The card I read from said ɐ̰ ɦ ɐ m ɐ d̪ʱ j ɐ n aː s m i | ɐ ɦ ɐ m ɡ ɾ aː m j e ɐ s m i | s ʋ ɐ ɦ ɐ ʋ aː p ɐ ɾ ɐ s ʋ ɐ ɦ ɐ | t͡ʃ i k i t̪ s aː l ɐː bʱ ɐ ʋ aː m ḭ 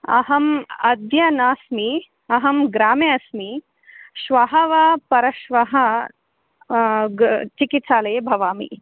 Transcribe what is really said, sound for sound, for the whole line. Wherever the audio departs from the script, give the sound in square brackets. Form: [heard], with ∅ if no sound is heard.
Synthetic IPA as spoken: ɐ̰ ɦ ɐ m ɐ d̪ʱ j ɐ n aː s m i | ɐ ɦ ɐ m ɡ ɾ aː m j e ɐ s m i | [ʃ] ʋ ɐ ɦ ɐ ʋ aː p ɐ ɾ ɐ [ʃ] ʋ ɐ ɦ ɐ | t͡ʃ i k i t̪ s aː l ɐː bʱ ɐ ʋ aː m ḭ